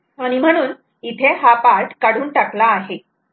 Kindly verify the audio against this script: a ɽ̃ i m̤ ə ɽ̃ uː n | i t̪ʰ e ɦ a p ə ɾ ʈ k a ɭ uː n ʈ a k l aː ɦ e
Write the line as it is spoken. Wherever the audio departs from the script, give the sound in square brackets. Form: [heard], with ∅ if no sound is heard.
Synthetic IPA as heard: a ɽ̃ i m̤ ə ɽ̃ uː n | i t̪ʰ e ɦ a p [a] ɾ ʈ k a [ɽ] uː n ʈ a k l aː ɦ e

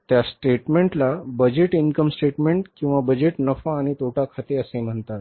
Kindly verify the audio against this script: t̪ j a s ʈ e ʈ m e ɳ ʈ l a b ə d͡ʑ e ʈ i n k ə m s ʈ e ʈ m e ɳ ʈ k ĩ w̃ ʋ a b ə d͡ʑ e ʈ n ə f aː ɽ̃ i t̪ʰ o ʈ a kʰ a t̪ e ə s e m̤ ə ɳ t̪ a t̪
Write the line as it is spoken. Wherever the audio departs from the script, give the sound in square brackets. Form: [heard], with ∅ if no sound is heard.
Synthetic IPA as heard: t̪ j a s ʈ e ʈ m e ɳ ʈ l a b ə d͡ʑ e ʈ i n k ə m s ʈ e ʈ m e ɳ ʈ k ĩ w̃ ʋ a b ə d͡ʑ e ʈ n ə f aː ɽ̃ i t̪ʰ o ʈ a kʰ a t̪ e ə s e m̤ ə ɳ t̪ a t̪

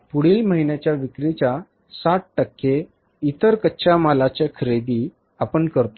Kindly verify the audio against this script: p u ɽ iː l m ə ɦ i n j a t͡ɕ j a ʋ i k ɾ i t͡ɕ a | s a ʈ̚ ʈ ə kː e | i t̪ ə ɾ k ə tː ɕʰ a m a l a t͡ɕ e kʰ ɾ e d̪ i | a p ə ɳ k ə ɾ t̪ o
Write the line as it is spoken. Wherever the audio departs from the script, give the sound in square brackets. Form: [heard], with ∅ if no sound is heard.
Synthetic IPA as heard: p u ɽ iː l m ə ɦ i n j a t͡ɕ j a ʋ i k ɾ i t͡ɕ a | s a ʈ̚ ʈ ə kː e | i t̪ ə ɾ k ə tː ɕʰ a m a l a t͡ɕ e kʰ ɾ e d̪ i | a p ə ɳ k ə ɾ t̪ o

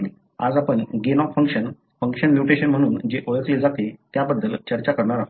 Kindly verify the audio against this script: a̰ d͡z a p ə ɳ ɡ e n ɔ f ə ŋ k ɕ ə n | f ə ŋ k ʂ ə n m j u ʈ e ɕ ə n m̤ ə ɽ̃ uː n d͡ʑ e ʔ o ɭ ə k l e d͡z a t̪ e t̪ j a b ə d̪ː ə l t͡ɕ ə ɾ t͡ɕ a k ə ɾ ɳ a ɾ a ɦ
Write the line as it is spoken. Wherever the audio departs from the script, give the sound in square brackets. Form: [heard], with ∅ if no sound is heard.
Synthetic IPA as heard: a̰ d͡z a p ə ɳ ɡ e n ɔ f ə ŋ k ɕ ə n | f ə ŋ k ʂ ə n m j u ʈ e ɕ ə n m̤ ə ɽ̃ uː n d͡ʑ e ʔ o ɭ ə k l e d͡z a t̪ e t̪ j a b ə d̪ː ə l t͡ɕ ə ɾ t͡ɕ a k ə ɾ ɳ a ɾ a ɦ

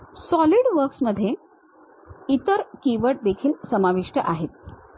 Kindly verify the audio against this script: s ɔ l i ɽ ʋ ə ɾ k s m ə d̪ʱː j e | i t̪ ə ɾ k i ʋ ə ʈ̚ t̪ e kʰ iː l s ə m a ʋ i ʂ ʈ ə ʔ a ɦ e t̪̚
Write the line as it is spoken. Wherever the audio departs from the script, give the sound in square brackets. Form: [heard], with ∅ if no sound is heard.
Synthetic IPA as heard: s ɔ l i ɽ ʋ ə ɾ k s m ə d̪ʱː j e | i t̪ ə ɾ k i ʋ ə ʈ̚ [d̪] e kʰ iː l s ə m a ʋ i ʂ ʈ ə ʔ a ɦ e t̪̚

